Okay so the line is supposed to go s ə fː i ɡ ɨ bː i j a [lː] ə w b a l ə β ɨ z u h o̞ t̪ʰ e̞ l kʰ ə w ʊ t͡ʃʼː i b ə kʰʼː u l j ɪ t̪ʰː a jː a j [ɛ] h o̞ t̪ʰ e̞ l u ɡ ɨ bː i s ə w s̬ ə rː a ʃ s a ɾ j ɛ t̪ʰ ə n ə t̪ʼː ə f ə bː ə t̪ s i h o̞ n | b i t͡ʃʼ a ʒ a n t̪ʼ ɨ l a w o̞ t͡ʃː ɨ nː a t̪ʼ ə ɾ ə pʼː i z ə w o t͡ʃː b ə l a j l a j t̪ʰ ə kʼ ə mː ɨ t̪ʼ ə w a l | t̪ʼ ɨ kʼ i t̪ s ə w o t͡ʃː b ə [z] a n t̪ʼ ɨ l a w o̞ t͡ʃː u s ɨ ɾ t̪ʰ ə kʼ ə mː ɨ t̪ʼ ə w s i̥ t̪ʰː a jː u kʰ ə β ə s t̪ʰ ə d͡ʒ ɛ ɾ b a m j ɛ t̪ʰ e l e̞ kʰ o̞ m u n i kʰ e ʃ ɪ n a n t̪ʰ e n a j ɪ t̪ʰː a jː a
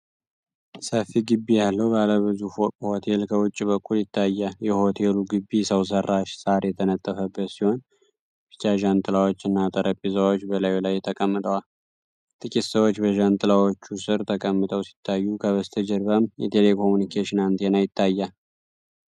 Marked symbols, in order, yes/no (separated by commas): yes, yes, no